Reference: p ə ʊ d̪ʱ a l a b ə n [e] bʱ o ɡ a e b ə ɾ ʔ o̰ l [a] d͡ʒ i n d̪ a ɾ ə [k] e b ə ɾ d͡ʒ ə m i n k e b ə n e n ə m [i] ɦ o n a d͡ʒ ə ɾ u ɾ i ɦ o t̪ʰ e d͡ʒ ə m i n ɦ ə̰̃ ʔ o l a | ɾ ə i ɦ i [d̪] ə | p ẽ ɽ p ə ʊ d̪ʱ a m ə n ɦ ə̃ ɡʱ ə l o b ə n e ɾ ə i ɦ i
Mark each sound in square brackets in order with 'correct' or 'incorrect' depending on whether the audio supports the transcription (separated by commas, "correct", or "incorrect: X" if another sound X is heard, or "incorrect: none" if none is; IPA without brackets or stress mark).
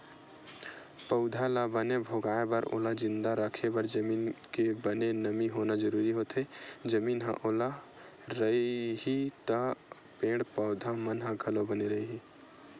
correct, correct, incorrect: kʰ, correct, incorrect: t̪